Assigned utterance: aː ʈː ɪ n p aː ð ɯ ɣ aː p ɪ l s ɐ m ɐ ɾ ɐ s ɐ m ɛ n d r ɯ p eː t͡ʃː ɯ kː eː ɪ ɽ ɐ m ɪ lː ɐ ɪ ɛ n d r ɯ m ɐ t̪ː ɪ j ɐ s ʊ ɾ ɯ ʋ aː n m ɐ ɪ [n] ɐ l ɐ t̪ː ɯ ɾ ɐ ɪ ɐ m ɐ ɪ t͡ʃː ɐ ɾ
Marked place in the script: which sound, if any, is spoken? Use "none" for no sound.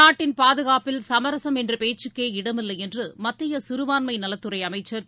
n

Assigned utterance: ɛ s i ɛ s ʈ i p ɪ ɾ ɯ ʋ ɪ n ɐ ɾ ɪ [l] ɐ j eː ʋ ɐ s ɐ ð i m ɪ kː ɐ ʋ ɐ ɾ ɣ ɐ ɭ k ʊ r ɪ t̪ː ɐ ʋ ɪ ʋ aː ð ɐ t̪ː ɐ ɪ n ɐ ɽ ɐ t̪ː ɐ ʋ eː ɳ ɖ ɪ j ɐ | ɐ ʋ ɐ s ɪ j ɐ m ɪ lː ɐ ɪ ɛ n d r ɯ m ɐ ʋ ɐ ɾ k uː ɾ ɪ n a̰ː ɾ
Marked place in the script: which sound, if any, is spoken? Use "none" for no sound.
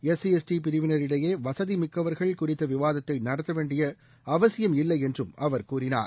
ɽ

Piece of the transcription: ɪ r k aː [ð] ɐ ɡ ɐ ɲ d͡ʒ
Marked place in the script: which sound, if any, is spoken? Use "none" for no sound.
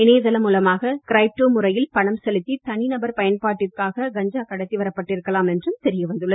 ɣ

